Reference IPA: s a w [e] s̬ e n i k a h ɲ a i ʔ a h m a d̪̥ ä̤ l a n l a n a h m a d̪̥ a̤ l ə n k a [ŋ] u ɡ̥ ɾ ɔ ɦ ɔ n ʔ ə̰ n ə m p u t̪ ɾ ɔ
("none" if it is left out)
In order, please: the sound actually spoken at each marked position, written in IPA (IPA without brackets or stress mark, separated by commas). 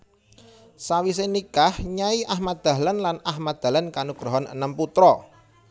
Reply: i, n